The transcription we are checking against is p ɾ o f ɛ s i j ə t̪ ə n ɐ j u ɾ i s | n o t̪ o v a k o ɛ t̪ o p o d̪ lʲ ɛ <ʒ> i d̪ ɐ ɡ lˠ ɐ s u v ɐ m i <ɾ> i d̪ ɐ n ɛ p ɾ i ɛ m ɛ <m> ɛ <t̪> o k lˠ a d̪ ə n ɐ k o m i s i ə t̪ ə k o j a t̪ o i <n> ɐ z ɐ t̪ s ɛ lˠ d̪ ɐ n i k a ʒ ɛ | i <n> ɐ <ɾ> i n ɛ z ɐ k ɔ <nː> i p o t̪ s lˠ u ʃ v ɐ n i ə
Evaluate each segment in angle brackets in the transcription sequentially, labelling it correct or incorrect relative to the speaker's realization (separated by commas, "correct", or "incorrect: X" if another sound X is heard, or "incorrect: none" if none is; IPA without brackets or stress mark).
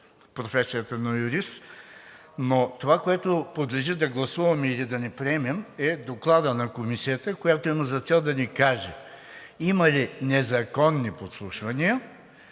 correct, incorrect: l, correct, incorrect: d̪, incorrect: m, incorrect: m, incorrect: l, correct